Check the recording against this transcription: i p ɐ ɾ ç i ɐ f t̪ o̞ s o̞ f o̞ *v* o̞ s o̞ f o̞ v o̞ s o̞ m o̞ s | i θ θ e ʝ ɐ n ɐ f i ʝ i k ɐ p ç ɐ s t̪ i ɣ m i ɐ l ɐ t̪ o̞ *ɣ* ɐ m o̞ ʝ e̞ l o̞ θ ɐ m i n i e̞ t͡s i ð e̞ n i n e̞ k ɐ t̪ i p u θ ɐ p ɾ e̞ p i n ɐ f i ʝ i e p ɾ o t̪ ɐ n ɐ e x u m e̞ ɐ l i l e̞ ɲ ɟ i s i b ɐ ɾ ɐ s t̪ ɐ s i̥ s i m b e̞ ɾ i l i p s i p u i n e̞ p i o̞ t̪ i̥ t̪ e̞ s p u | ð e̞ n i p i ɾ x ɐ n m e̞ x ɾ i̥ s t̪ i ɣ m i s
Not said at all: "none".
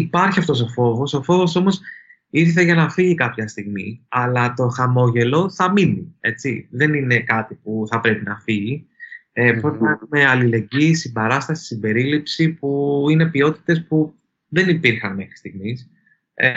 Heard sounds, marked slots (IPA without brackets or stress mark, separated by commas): v, x